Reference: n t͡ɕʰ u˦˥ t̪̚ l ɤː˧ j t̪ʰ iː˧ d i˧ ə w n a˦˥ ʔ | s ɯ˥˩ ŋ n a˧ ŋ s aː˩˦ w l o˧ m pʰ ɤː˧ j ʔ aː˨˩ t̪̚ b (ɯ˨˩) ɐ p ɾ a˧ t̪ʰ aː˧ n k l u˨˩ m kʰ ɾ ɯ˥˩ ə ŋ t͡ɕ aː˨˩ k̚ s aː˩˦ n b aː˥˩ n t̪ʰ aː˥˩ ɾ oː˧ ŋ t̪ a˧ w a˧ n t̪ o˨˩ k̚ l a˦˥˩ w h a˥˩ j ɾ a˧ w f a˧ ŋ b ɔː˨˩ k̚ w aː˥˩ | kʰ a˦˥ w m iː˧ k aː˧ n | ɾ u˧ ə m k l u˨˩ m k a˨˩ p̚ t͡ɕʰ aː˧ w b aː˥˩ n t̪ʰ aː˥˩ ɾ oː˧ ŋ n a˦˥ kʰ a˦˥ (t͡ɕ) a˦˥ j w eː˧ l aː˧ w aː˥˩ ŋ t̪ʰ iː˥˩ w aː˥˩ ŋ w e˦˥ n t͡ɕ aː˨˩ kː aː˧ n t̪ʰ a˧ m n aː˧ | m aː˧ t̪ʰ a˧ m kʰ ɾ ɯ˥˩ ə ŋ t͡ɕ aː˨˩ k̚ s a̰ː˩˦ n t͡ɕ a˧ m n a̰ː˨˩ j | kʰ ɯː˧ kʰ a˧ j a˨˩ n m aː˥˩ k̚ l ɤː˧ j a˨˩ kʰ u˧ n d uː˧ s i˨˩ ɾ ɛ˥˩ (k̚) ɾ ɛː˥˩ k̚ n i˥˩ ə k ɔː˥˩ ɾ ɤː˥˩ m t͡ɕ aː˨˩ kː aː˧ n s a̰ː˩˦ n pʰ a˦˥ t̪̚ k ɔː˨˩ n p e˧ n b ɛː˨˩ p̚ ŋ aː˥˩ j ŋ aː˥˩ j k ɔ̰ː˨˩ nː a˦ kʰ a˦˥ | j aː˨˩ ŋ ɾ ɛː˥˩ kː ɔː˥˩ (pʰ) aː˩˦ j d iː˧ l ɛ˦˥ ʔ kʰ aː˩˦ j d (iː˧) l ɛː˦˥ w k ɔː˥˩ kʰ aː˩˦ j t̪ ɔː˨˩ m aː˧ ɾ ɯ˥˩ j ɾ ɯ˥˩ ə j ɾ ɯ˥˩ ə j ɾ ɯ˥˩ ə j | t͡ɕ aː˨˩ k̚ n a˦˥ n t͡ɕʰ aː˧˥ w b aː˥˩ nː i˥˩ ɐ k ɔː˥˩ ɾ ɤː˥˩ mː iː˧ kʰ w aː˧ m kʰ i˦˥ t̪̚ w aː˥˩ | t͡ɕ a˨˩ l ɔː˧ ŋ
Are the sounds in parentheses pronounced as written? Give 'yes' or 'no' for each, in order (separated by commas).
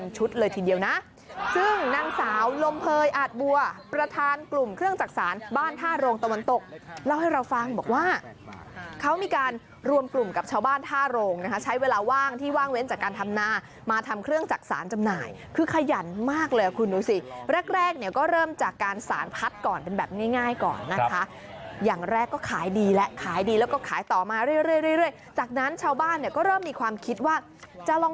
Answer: no, no, yes, no, yes